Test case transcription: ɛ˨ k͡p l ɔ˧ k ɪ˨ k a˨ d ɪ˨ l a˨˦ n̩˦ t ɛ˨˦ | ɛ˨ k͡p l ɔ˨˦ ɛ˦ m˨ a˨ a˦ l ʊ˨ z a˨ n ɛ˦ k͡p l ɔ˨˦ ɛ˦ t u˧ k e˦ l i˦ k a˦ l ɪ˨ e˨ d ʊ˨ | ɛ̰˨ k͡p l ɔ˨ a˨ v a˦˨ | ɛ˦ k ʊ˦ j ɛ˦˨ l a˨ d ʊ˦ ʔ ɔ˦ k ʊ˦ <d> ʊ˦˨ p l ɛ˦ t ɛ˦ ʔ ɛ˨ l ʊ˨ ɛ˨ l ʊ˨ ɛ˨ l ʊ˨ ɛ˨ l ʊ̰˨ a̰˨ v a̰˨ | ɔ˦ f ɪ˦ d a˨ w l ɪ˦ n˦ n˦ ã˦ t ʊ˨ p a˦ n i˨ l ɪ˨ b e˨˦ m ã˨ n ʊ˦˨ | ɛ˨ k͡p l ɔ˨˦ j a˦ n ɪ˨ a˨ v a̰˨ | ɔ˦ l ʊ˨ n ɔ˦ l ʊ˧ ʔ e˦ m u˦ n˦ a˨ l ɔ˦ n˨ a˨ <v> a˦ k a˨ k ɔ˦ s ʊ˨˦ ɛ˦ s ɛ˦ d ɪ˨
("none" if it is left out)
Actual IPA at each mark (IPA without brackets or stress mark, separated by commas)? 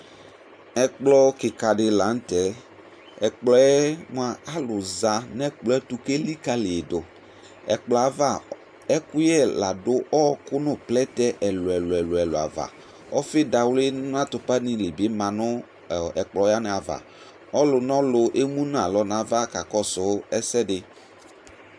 n, v